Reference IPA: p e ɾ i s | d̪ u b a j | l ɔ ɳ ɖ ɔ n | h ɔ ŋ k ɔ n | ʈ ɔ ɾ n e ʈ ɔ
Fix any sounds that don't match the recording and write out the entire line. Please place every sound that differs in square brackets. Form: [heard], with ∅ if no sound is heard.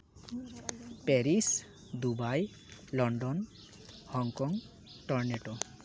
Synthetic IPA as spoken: p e ɾ i s | d̪ u b a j | l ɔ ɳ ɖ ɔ n | h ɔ ŋ k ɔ [ŋ] | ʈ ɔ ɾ n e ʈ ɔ